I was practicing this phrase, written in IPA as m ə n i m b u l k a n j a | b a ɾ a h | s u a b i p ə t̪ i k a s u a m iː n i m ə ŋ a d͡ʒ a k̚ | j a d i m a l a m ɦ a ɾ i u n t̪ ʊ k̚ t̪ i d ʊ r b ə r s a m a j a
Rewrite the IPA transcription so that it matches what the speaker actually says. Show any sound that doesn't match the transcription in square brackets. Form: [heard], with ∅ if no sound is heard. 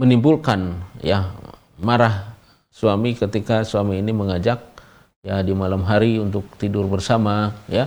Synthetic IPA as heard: m ə n i m b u l k a n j a | [m] a ɾ a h | s u a [m] i [k] ə t̪ i k a s u a m iː n i m ə ŋ a d͡ʒ a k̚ | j a d i m a l a m ɦ a ɾ i u n t̪ ʊ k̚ t̪ i d ʊ r b ə r s a m a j a